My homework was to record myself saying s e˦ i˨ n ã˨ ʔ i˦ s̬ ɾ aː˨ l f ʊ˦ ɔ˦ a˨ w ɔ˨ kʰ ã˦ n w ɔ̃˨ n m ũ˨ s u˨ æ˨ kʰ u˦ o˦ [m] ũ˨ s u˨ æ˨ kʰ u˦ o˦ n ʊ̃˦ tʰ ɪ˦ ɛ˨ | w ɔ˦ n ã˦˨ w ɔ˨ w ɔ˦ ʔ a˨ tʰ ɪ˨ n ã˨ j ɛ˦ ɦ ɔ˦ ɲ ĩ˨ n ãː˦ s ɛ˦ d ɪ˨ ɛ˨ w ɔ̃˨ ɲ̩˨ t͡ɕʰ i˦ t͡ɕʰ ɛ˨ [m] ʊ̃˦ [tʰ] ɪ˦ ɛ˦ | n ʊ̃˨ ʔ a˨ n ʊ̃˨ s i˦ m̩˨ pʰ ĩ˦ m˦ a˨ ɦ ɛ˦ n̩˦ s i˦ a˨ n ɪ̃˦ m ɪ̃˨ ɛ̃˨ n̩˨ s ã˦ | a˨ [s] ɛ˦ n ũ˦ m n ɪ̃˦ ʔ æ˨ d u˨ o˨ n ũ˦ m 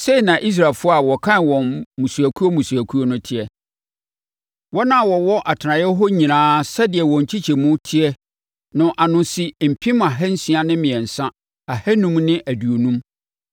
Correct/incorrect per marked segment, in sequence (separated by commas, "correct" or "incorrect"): correct, correct, correct, incorrect